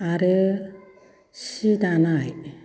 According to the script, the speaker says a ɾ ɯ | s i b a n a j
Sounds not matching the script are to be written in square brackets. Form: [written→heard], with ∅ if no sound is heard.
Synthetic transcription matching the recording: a ɾ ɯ | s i [b→d] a n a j